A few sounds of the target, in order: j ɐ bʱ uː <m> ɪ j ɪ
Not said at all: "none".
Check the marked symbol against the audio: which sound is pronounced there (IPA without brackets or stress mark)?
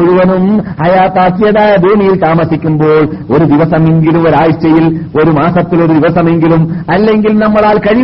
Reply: m